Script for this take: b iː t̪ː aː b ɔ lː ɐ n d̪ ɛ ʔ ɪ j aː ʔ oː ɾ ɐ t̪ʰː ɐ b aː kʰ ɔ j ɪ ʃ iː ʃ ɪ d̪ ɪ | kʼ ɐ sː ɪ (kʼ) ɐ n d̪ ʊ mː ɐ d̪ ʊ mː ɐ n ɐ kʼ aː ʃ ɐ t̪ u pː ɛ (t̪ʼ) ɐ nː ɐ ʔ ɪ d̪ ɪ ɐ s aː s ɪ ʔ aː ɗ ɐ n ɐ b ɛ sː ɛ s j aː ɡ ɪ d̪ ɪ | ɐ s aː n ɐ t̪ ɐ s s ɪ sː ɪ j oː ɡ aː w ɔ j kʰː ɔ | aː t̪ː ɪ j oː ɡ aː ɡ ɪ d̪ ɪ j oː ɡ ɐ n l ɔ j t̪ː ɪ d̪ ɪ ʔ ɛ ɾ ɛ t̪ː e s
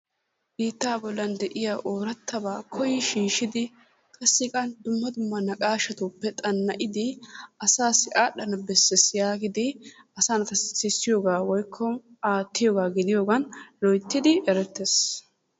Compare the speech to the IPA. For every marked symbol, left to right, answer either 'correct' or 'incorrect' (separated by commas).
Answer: correct, correct